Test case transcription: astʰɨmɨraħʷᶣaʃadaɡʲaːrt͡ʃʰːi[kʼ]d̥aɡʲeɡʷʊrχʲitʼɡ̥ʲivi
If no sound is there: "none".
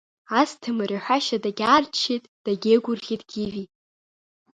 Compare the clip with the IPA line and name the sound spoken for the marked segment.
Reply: tʼ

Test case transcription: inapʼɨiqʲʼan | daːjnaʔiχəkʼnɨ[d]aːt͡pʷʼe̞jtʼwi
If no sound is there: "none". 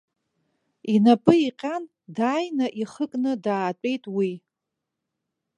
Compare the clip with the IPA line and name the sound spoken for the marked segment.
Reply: d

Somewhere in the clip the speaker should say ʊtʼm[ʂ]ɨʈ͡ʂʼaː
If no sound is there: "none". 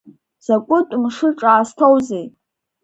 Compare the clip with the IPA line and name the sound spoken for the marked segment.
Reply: ʂ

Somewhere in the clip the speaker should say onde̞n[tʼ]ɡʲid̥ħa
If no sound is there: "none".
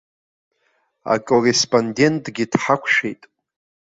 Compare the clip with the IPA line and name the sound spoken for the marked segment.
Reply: tʼ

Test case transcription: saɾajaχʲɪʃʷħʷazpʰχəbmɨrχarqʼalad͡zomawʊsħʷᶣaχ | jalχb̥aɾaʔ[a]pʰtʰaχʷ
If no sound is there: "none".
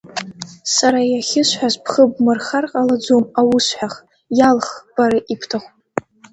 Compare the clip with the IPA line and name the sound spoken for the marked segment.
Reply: i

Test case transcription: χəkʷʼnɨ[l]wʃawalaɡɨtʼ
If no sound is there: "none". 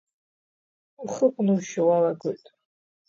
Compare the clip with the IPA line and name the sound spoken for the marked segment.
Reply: none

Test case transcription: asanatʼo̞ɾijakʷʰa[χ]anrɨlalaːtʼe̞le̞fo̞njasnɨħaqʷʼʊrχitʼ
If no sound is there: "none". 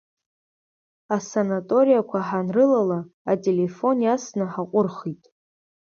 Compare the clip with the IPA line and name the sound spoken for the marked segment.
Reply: ħ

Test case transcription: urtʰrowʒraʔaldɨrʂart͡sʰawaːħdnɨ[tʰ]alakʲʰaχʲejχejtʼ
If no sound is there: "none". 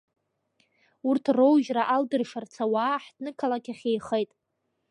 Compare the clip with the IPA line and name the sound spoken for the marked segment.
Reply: kʰ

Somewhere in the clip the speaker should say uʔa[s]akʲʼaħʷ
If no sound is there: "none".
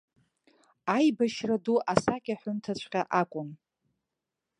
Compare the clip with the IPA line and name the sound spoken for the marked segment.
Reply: s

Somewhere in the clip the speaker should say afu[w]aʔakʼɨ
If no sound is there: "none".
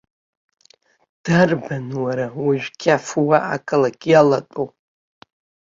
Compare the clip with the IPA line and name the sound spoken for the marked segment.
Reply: w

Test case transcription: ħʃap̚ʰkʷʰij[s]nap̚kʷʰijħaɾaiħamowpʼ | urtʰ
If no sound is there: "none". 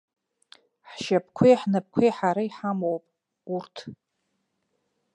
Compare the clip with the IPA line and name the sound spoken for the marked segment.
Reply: ħ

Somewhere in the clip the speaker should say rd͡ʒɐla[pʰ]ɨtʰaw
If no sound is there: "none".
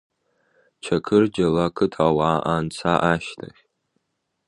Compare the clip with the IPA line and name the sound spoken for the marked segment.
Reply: kʰ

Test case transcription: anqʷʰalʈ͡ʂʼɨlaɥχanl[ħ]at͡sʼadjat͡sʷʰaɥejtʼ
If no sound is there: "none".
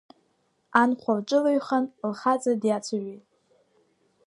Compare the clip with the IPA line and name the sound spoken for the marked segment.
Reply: χ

